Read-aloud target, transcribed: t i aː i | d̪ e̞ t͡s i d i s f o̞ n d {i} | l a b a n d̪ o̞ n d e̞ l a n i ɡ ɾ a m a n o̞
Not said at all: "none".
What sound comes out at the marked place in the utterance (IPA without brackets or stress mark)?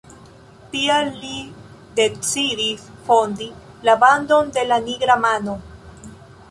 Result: i